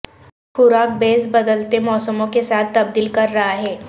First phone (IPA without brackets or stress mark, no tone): x